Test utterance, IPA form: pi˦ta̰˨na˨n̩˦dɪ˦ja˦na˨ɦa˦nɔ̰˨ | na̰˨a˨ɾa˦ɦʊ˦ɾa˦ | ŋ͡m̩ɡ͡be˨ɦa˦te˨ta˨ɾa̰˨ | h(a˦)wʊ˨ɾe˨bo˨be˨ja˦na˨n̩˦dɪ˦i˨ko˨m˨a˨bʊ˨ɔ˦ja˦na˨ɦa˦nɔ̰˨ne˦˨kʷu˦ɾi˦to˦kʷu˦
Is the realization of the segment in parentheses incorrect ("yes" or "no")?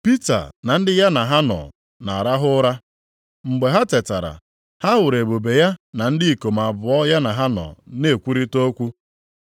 no